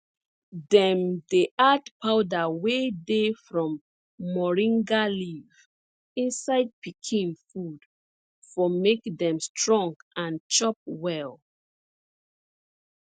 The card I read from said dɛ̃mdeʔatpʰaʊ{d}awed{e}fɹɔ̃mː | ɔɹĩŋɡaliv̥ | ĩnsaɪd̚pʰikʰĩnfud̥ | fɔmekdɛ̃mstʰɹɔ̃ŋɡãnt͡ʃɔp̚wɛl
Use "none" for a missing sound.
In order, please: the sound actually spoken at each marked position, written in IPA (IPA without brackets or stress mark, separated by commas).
d, e